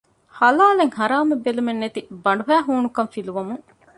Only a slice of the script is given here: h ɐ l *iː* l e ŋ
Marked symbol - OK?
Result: no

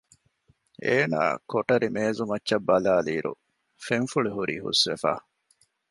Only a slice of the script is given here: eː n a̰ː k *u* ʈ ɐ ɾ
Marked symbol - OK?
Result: no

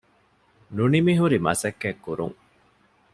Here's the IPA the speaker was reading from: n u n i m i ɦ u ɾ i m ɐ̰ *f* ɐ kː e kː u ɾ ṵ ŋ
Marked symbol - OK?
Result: no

